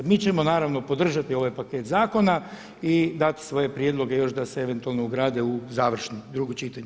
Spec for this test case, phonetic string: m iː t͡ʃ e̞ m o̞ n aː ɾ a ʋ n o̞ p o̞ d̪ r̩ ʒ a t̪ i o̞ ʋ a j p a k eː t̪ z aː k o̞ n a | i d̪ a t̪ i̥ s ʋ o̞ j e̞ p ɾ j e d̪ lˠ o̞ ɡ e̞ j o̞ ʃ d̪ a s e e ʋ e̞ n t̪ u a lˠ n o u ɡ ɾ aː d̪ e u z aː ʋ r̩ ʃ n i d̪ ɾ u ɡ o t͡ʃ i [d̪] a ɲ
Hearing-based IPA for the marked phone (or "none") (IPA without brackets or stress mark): t̪